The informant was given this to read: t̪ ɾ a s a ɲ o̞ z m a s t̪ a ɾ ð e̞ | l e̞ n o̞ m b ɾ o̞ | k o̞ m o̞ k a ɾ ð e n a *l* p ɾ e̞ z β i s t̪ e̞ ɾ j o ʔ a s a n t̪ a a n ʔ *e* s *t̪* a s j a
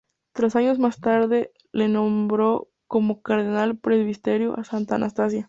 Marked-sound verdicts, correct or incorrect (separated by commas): correct, incorrect, correct